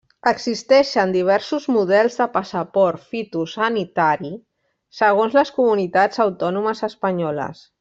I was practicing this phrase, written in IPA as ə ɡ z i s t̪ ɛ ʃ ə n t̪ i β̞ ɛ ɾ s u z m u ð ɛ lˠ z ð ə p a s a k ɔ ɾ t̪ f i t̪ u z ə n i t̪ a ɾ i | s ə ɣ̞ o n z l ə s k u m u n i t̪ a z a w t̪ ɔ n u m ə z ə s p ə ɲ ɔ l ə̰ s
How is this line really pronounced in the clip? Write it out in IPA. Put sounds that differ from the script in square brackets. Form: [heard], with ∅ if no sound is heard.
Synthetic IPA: ə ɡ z i s t̪ ɛ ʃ ə n [d̪] i β̞ ɛ ɾ s u z m u ð ɛ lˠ z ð ə p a s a [p] ɔ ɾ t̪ f i t̪ u [s] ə n i t̪ a ɾ i | s ə ɣ̞ o n z l ə s k u m u n i t̪ a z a w t̪ ɔ n u m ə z ə s p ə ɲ ɔ l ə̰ s